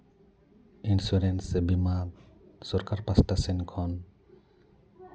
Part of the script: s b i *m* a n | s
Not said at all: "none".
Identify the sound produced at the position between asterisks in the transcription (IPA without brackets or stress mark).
m